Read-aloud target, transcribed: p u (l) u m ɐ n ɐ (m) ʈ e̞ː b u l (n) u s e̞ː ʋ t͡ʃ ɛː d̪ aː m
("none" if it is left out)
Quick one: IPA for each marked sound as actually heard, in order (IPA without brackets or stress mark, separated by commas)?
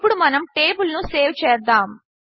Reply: ɽ, m, n